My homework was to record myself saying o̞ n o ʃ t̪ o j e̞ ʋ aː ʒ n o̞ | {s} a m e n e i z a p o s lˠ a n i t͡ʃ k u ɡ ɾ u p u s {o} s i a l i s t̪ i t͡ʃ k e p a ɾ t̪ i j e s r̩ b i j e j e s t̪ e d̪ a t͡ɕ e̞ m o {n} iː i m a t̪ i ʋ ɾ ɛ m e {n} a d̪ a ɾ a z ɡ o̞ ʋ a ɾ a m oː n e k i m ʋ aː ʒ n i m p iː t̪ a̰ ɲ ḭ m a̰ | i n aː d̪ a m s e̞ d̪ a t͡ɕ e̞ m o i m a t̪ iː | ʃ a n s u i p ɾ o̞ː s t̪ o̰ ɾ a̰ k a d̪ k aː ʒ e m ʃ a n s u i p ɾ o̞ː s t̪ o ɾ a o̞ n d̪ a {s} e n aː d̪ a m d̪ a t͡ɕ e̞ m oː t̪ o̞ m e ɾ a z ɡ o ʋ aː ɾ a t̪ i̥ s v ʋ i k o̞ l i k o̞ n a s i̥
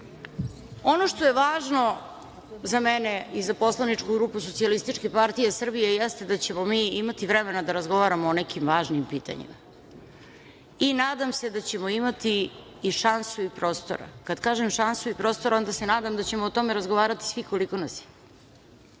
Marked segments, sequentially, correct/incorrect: incorrect, correct, incorrect, correct, correct

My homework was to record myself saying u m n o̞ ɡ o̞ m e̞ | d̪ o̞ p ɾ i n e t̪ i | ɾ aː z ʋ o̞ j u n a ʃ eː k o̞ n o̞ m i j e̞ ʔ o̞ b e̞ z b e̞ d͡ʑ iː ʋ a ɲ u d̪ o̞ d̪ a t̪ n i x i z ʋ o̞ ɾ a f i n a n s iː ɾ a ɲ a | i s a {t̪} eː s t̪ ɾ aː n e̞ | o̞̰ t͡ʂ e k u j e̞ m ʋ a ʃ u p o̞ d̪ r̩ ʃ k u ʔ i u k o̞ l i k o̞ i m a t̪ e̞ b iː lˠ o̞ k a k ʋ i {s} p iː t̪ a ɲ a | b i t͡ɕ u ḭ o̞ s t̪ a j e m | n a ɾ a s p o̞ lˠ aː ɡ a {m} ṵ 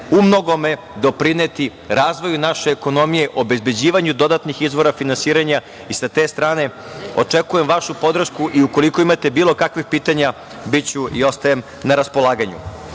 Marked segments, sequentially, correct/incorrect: correct, incorrect, incorrect

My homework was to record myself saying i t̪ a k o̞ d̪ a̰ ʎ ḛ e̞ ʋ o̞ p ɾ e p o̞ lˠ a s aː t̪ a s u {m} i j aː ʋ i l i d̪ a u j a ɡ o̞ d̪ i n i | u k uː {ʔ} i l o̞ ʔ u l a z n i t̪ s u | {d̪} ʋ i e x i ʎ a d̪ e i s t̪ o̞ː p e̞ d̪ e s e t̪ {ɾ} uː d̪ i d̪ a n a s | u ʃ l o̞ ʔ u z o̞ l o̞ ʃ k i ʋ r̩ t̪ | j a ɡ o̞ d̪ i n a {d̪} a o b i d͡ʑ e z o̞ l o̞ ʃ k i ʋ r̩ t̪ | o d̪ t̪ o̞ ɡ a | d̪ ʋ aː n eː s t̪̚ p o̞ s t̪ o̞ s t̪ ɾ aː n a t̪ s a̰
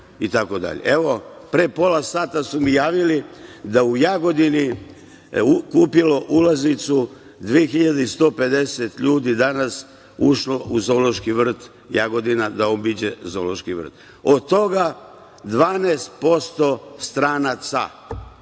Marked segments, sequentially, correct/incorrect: correct, incorrect, correct, incorrect, correct

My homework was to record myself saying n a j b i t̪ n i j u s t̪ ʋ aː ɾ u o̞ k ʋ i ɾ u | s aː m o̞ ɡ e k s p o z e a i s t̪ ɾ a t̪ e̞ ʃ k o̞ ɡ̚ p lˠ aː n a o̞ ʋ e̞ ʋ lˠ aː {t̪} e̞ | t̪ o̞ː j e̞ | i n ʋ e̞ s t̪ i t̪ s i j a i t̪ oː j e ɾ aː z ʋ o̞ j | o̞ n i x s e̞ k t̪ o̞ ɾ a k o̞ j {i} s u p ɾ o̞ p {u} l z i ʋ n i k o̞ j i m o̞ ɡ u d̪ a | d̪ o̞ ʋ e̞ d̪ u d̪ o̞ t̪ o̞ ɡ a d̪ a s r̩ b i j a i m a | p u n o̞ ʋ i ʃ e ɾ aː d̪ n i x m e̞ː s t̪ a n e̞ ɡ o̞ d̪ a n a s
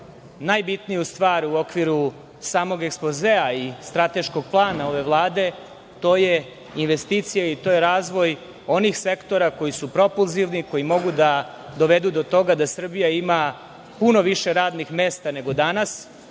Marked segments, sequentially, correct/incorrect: incorrect, correct, correct

